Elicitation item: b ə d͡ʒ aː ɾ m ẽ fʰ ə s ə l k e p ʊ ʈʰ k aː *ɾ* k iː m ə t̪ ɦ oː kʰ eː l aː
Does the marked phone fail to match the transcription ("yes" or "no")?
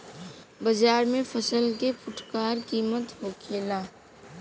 no